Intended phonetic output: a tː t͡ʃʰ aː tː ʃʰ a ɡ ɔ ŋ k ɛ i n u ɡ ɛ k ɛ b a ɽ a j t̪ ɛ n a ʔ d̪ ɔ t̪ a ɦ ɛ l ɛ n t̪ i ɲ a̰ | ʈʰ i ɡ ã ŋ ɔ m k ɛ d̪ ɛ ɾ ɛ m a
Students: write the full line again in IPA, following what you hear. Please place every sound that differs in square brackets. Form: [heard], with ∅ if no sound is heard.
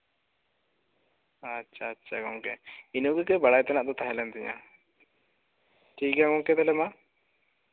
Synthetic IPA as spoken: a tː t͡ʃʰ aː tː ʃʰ a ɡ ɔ ŋ k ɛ i n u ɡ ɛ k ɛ b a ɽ a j t̪ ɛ n a ʔ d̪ ɔ t̪ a ɦ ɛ l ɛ n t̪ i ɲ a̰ | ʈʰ i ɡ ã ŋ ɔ [ŋ] k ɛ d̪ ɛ [l] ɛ m a